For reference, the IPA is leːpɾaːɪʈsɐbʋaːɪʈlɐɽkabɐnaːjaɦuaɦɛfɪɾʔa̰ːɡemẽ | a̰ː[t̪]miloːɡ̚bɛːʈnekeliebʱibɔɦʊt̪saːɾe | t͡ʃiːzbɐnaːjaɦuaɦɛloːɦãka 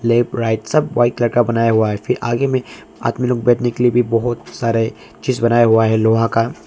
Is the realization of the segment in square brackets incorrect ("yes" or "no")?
no